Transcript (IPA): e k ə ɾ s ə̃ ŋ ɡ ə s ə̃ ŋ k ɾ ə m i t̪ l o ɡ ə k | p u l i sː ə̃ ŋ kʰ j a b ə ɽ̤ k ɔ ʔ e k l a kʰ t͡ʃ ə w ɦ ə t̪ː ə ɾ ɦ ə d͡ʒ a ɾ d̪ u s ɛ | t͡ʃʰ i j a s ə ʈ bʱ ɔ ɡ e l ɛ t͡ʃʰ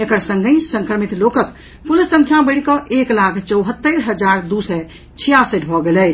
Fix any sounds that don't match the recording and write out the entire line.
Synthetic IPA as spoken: e k ə ɾ s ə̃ ŋ ɡ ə s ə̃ ŋ k ɾ ə m i t̪ l o k ə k | p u l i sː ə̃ ŋ kʰ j a b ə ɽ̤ k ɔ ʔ e k l a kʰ t͡ʃ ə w ɦ ə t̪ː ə ɾ ɦ ə d͡ʒ a ɾ d̪ u s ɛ | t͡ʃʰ i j a s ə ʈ bʱ ɔ ɡ e l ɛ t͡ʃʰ

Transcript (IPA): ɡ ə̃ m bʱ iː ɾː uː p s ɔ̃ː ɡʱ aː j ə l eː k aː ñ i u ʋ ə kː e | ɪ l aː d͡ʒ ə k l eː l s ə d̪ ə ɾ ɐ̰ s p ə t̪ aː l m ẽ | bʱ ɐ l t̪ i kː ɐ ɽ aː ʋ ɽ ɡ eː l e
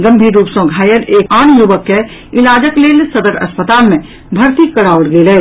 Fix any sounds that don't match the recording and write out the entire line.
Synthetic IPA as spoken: ɡ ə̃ m bʱ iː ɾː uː p s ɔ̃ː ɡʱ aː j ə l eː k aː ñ j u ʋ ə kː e | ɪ l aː d͡ʒ ə k l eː l s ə d̪ ə ɾ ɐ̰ s p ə t̪ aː l m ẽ | bʱ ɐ ɾ t̪ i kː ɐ ɽ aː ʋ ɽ ɡ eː l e

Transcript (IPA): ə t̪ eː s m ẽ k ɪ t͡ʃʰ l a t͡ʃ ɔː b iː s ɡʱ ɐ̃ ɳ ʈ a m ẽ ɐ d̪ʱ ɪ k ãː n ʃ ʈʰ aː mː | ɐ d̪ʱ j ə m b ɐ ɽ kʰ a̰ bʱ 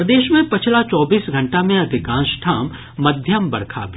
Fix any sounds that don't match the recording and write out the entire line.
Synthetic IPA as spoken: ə d̪ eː ʃ m ẽ p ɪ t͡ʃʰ l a t͡ʃ ɔː b iː s ɡʱ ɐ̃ ɳ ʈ a m ẽ ɐ d̪ʱ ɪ k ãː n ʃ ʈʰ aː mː | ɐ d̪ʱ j ə m b ɐ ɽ kʰ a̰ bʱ

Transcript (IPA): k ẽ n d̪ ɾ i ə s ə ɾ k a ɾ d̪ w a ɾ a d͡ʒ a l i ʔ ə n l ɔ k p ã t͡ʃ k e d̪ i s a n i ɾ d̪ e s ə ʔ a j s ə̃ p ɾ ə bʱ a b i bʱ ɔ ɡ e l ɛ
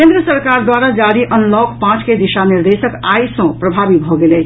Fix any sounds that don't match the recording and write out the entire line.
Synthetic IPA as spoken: k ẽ n d̪ ɾ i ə s ə ɾ k a ɾ d̪ w a ɾ a d͡ʒ a ɾ i ʔ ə n l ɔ k p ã t͡ʃ k e d̪ i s a n i ɾ d̪ e s ə k a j s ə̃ p ɾ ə bʱ a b i bʱ ɔ ɡ e l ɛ

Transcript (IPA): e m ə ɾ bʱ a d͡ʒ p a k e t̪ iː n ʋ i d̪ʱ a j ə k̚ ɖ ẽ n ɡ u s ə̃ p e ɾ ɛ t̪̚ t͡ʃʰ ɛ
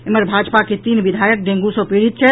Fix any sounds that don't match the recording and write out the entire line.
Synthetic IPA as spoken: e m ə ɾ bʱ a d͡ʒ p a k e t̪ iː n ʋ i d̪ʱ a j ə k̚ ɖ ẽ ŋ ɡ u s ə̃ p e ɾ i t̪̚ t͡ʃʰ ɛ

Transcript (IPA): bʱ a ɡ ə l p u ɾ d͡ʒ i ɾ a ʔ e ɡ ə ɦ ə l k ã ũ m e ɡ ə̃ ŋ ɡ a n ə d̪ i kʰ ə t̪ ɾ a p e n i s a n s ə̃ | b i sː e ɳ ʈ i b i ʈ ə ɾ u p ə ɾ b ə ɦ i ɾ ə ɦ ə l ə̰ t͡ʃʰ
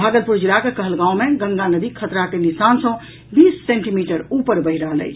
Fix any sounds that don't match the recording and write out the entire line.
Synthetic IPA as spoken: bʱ a ɡ ə l p u ɾ d͡ʒ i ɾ a k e k ə ɦ ə l ɡ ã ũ m e ɡ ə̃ ŋ ɡ a n ə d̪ i kʰ ə t̪ ɾ a k e n i s a n s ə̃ | b i sː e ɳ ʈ i m i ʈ ə ɾ u p ə ɾ b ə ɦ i ɾ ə ɦ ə l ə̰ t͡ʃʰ

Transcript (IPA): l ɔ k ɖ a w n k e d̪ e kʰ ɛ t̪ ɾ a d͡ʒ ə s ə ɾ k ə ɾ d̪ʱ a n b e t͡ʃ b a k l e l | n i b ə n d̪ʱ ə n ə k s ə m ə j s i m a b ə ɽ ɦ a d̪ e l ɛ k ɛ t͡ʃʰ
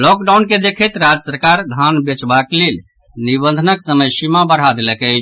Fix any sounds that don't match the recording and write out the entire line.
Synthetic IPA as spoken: l ɔ k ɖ a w n k e d̪ e kʰ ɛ t̪ ɾ a d͡ʒ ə s ə ɾ k a ɾ d̪ʱ a n b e t͡ʃ b a k l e l | n i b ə n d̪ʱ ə n ə k s ə m ə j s i m a b ə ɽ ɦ a d̪ e l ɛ k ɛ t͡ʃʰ

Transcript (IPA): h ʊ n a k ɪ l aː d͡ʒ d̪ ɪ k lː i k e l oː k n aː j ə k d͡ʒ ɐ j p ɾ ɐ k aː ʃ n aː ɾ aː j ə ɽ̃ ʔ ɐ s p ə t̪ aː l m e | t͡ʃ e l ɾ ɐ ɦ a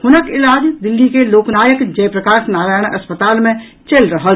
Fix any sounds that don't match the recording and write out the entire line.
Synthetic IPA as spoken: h ʊ n ə k ɪ l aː d͡ʒ d̪ ɪ lː i k e l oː k n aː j ə k d͡ʒ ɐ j p ɾ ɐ k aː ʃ n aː ɾ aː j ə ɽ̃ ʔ ɐ s p ə t̪ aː l m ẽ | t͡ʃ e l ɾ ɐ ɦ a

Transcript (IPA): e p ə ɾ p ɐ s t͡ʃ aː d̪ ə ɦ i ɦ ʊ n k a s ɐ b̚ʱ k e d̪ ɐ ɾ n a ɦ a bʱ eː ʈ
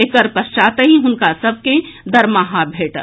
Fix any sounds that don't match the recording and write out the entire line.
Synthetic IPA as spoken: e k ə ɾ p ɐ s t͡ʃ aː t̪ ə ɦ i ɦ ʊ n k a s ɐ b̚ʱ k e d̪ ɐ ɾ m a ɦ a bʱ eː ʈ

